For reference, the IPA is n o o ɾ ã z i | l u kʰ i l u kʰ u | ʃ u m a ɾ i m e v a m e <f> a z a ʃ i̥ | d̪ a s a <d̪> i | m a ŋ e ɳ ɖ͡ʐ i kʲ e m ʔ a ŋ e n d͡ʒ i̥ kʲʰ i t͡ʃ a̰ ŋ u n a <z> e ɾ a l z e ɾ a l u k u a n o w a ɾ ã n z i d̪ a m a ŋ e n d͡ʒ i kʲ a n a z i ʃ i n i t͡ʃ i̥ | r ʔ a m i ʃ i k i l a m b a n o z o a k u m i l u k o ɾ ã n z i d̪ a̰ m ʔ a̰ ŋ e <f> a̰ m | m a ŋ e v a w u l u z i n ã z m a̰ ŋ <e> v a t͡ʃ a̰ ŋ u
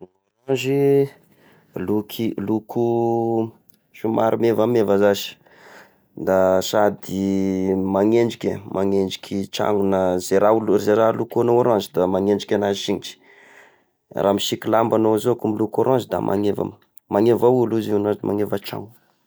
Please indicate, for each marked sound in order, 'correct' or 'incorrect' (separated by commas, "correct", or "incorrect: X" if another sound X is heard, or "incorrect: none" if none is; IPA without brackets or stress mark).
incorrect: v, correct, correct, incorrect: v, correct